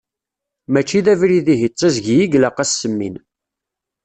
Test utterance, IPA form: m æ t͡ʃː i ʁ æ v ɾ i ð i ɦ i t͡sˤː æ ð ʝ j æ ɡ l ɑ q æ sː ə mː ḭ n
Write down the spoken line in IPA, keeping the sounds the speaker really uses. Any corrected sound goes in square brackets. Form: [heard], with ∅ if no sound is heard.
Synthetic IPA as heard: m æ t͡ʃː i [ð] æ v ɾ i ð i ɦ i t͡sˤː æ [z] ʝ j [i] ɡ l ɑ q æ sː ə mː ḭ n